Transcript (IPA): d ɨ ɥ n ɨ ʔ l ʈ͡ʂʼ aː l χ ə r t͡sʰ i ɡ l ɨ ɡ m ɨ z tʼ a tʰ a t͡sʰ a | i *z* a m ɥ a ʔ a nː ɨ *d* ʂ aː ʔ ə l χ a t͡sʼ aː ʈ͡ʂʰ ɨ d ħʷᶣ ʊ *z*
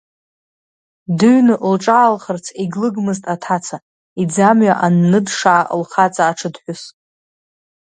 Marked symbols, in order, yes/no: no, yes, no

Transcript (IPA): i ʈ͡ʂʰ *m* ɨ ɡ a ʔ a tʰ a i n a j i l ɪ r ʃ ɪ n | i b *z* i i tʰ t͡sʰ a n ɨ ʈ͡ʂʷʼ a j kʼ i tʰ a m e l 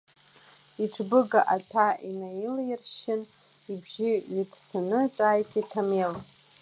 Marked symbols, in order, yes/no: no, no

